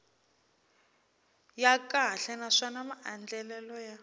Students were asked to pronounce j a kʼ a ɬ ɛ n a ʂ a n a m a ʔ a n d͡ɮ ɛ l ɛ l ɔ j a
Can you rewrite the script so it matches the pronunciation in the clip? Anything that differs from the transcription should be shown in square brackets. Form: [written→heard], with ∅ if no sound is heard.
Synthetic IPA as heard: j a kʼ a ɬ ɛ n a ʂ a n a m a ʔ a n d͡ɮ ɛ l ɛ l ɔ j a